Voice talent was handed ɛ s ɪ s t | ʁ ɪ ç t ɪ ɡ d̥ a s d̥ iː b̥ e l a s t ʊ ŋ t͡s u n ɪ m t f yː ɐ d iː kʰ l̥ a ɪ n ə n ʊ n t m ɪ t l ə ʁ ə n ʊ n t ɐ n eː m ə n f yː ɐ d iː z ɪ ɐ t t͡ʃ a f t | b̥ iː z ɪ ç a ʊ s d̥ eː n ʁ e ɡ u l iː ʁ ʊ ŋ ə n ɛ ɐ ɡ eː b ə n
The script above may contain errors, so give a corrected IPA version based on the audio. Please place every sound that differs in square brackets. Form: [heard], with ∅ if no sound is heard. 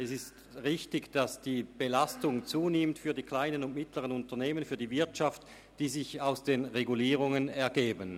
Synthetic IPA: ɛ s ɪ s t | ʁ ɪ ç t ɪ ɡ d̥ a s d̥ iː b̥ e l a s t ʊ ŋ t͡s [uː] n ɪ m t f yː ɐ d iː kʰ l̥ a ɪ n ə n ʊ n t m ɪ t l ə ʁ ə n ʊ n t ɐ n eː m ə n f yː ɐ d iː [v] ɪ ɐ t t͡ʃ a f t | [d̥] iː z ɪ ç a ʊ s d̥ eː n ʁ e ɡ u l iː ʁ ʊ ŋ ə n ɛ ɐ ɡ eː b ə n